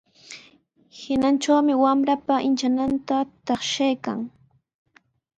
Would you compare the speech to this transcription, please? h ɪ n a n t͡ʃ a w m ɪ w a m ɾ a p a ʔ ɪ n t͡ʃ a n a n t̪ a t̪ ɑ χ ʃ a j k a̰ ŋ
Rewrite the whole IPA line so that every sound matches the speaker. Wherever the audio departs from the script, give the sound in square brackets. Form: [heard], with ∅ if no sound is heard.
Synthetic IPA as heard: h ɪ n a n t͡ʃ a w m ɪ w a m ɾ a p a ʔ ɪ n t͡ʃ a n a n t̪ a t̪ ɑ χ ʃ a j k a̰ ŋ